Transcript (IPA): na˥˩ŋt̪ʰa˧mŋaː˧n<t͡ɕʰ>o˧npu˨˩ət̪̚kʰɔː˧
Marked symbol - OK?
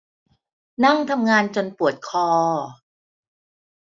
no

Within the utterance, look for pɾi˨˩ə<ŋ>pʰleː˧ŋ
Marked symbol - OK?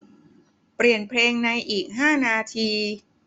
no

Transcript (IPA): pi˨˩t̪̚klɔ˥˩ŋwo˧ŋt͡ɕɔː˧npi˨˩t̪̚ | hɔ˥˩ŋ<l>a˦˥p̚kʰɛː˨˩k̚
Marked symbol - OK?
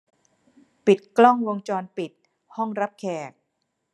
no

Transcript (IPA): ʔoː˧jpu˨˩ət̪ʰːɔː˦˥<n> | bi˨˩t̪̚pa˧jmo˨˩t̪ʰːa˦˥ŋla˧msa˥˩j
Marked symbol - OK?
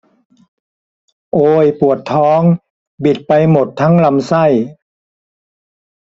no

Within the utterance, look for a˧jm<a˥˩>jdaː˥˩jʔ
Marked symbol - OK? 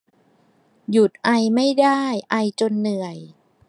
yes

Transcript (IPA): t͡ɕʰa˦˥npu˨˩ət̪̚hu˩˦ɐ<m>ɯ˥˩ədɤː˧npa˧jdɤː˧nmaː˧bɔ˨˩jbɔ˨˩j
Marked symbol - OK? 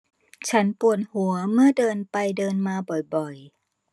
yes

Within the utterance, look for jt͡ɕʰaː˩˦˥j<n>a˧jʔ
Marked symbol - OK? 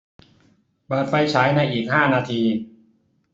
yes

